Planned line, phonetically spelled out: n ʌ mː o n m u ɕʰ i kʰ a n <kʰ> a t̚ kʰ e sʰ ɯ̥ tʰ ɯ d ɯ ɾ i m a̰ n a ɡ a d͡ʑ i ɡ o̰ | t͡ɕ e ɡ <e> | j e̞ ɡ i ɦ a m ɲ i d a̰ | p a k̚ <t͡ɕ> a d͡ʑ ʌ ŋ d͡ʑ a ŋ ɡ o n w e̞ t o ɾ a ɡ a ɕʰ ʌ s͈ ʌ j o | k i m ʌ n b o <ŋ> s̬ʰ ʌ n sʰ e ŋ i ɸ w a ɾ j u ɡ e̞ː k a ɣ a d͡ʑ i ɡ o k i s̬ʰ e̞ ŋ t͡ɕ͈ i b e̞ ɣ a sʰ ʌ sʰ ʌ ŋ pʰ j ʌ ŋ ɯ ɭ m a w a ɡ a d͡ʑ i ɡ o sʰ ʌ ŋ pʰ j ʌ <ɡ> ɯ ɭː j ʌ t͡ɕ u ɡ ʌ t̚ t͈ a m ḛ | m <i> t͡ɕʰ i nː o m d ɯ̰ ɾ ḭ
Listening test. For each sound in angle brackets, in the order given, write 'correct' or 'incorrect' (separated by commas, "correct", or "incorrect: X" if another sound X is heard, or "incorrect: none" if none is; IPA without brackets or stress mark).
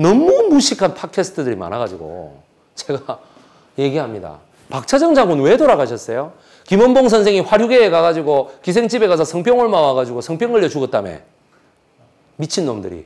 incorrect: pʰ, incorrect: a, incorrect: t͡ɕʰ, correct, incorrect: ŋ, correct